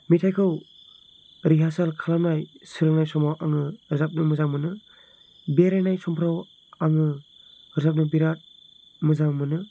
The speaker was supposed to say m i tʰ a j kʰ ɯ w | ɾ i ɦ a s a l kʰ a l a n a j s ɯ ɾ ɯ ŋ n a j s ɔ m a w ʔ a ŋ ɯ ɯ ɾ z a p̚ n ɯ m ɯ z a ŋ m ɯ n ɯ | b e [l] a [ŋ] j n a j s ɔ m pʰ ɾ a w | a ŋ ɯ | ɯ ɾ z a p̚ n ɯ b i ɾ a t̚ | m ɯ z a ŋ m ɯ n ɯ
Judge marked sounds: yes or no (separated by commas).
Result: no, no